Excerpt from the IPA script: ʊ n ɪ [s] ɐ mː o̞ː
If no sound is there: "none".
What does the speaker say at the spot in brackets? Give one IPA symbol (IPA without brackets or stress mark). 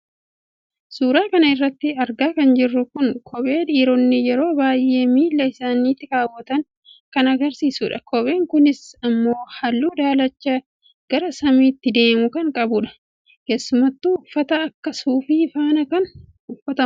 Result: s